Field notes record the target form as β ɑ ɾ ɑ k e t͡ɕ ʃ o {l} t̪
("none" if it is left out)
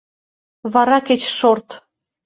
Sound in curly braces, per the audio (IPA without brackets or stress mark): r